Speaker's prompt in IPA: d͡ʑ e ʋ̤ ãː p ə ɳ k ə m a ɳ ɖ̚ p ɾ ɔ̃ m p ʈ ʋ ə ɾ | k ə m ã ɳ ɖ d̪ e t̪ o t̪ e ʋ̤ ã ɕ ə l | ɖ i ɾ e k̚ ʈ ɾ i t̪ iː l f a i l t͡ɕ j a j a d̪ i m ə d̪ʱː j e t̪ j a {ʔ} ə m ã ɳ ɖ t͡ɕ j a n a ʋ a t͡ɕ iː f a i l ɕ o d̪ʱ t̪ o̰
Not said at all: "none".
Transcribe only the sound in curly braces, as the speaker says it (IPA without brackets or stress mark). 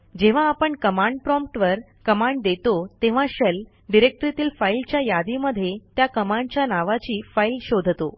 k